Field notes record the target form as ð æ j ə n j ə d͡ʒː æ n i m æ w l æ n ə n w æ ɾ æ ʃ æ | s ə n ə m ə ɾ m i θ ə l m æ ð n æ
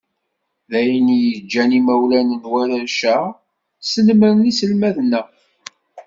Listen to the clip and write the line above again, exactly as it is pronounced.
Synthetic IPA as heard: ð æ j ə n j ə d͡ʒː æ n i m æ w l æ n ə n w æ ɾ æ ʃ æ | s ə n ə m ə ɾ n i s ə l m æ ð n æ